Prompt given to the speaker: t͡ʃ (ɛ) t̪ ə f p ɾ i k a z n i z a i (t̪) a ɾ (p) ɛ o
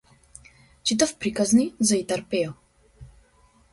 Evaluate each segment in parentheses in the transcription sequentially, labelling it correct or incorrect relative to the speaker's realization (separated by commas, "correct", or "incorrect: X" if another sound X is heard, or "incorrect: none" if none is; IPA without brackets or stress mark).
incorrect: i, correct, correct